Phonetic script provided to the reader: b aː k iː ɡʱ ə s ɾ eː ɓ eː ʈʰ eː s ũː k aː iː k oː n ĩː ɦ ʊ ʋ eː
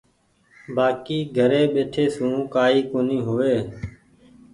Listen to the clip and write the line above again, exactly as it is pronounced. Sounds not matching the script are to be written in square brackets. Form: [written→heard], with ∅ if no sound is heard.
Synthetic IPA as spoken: b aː k iː ɡʱ ə [s→∅] ɾ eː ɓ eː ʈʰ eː s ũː k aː iː k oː n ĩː ɦ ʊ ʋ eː

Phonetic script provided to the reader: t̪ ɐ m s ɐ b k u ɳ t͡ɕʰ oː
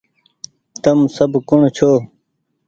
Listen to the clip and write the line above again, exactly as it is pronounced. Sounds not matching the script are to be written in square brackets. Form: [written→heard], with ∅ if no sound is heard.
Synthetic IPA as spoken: t̪ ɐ m s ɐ b k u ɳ t͡ɕʰ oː

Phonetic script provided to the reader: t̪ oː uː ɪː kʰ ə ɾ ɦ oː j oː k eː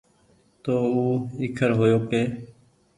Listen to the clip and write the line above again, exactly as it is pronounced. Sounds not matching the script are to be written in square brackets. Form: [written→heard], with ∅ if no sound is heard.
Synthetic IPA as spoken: t̪ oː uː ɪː kʰ ə ɾ ɦ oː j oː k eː

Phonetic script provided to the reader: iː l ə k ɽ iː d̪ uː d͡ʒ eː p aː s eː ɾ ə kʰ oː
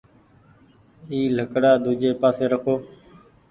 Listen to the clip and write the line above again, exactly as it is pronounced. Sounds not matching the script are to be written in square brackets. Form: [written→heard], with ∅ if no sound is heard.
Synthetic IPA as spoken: iː l ə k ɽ [iː→aː] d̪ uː d͡ʒ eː p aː s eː ɾ ə kʰ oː

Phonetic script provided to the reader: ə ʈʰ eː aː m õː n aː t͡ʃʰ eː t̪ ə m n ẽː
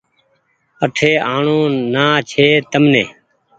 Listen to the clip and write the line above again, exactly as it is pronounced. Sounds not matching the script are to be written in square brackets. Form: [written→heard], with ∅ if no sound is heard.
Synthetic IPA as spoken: ə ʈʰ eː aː [m→ɳ] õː n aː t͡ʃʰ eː t̪ ə m n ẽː

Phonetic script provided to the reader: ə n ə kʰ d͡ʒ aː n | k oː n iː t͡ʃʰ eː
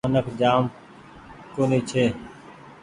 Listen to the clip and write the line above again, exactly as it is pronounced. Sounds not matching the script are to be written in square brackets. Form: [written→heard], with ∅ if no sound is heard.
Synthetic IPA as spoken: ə n ə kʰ d͡ʒ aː [n→m] | k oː n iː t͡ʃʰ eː

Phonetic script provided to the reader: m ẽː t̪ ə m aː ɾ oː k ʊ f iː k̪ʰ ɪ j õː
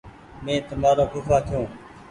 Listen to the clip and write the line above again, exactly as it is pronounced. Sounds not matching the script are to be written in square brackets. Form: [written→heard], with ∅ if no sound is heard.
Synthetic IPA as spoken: m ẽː t̪ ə m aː ɾ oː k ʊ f [iː→aː] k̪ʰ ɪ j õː

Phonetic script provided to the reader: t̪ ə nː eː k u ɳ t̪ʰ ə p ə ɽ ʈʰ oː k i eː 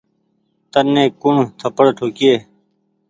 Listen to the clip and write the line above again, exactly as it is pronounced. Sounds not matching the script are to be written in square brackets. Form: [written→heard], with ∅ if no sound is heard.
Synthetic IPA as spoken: t̪ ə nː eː k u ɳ t̪ʰ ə p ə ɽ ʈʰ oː k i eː

